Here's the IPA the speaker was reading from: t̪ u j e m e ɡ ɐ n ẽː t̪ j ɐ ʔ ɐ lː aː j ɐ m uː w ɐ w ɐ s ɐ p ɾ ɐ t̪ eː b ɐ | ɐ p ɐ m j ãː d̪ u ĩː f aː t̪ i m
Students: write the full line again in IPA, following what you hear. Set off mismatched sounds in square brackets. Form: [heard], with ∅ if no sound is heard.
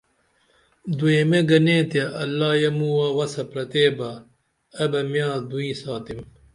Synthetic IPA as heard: [d̪] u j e m e ɡ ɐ n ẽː t̪ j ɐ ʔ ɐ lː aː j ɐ m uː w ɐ w ɐ s ɐ p ɾ ɐ t̪ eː b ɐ | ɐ [b] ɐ m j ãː d̪ u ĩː [s] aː t̪ i m